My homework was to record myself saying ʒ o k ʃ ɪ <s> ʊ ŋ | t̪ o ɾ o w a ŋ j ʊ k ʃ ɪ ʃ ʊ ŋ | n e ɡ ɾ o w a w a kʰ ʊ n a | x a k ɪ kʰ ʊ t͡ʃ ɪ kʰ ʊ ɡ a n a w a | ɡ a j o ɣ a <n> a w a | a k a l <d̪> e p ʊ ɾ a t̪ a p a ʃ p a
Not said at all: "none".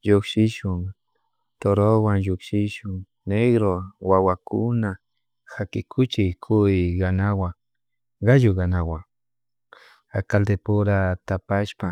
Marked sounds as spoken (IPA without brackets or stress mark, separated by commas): ʃ, n, d̪